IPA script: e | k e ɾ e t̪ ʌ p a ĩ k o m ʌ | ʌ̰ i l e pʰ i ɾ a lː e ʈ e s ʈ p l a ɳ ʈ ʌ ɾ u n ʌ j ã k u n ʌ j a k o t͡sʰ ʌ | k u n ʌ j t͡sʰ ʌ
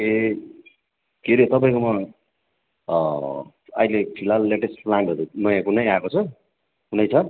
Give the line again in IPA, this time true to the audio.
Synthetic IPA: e | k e ɾ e t̪ ʌ p a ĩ k o m ʌ | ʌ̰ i l e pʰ i l a lː e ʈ e s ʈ p l a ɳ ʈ ʌ ɾ u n ʌ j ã k u n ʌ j a k o t͡sʰ ʌ | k u n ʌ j t͡sʰ ʌ